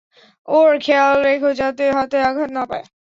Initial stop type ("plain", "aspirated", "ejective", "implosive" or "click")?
aspirated